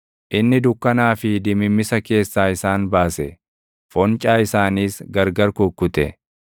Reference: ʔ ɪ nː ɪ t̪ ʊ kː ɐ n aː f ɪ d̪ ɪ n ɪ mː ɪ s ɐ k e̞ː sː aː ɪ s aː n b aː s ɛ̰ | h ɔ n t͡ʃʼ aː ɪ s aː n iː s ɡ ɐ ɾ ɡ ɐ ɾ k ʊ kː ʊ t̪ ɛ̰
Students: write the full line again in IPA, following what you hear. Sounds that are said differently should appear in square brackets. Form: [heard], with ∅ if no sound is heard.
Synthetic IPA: ʔ ɪ nː ɪ [d̪] ʊ kː ɐ n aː f ɪ d̪ ɪ [m] ɪ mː ɪ s ɐ k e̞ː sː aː ɪ s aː n b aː s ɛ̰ | [f] ɔ n t͡ʃʼ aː ɪ s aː n iː s ɡ ɐ ɾ ɡ ɐ ɾ k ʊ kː ʊ t̪ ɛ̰